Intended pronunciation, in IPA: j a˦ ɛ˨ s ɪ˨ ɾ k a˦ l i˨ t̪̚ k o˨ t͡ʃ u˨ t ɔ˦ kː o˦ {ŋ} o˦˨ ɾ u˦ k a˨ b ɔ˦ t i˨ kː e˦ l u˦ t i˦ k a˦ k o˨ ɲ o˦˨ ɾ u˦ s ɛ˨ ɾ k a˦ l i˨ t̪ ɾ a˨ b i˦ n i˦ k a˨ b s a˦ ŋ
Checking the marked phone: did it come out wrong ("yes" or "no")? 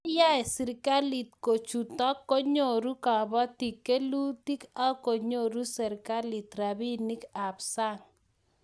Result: yes